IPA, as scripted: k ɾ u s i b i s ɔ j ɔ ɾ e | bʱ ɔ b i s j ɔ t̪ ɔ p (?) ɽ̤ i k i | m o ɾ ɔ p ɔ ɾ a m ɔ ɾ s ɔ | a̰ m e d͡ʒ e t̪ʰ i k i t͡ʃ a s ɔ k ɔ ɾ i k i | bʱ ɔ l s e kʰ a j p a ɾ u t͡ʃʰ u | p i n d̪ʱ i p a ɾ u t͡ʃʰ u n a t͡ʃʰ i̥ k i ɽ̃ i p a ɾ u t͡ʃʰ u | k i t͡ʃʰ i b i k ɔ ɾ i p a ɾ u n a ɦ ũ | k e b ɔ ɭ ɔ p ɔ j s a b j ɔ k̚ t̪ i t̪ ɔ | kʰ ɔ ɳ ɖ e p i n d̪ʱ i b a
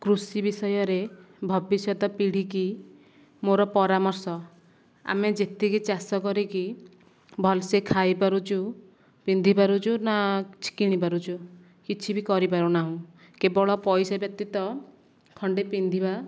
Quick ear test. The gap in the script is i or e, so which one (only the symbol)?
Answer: i